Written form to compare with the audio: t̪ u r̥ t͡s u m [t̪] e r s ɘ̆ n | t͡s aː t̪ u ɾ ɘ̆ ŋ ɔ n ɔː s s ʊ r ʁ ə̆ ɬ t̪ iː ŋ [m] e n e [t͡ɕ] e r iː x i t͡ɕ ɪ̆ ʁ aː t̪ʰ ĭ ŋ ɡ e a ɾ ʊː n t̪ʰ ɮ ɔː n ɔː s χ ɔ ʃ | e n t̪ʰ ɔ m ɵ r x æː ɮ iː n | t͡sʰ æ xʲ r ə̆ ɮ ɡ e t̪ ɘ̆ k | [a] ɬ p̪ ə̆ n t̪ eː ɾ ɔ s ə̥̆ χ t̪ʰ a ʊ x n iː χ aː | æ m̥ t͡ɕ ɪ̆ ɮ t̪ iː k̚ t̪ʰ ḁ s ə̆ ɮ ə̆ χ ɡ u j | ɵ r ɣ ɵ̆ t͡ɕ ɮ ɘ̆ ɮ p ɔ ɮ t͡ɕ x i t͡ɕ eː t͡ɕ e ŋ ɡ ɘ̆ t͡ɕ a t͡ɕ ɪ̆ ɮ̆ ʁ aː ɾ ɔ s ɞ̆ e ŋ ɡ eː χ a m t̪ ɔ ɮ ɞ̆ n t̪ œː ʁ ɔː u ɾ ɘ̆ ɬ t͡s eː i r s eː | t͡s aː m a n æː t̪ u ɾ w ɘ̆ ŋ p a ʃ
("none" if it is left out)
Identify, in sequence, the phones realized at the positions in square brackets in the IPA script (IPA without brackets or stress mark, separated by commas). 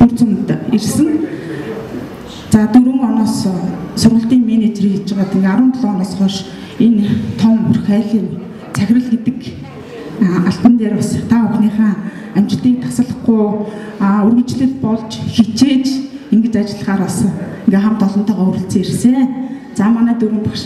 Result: t̪, m, t͡ɕ, a